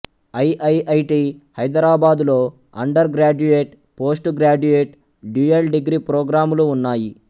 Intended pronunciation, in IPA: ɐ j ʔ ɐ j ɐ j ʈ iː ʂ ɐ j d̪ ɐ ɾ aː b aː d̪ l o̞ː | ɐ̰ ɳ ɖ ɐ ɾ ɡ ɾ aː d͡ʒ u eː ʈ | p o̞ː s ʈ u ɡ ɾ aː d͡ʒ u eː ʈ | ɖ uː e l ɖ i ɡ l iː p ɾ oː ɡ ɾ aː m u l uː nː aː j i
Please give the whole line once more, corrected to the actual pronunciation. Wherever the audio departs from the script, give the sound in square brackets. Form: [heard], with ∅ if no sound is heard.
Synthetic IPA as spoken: ɐ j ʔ ɐ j ɐ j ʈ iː [h] ɐ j d̪ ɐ ɾ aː b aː d̪ l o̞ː | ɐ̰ ɳ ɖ ɐ ɾ ɡ ɾ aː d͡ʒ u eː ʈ | p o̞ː s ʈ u ɡ ɾ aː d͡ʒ u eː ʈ | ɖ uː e l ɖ i ɡ [ɾ] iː p ɾ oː ɡ ɾ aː m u l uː nː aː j i